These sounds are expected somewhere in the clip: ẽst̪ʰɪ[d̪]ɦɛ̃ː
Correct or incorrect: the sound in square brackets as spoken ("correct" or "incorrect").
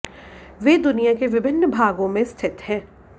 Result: incorrect